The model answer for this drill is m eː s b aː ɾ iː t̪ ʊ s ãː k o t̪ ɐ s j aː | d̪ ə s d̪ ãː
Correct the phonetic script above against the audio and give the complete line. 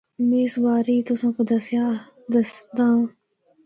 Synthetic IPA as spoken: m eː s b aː ɾ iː t̪ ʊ s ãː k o d̪ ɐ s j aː | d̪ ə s d̪ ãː